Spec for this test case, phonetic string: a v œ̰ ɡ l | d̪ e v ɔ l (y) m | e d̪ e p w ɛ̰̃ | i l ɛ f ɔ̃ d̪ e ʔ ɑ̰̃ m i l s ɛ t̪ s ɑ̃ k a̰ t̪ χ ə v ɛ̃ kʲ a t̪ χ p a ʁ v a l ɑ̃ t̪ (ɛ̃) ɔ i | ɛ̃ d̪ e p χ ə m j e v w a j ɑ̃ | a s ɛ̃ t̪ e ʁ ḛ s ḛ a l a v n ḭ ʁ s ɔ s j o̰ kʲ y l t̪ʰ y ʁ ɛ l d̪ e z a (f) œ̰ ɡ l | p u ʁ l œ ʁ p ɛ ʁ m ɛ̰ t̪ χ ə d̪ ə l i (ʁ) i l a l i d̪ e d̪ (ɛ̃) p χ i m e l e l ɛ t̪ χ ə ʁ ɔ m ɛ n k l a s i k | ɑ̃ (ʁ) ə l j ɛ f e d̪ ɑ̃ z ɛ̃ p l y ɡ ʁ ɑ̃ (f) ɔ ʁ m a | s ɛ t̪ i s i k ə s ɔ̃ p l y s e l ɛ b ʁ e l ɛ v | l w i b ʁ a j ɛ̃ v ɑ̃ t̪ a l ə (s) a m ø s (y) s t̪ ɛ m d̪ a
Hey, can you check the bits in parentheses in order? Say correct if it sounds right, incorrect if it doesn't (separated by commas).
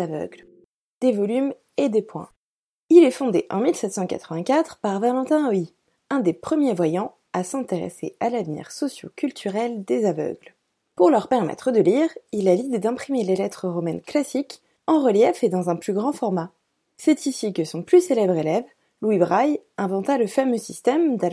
correct, correct, incorrect, correct, correct, correct, correct, incorrect, incorrect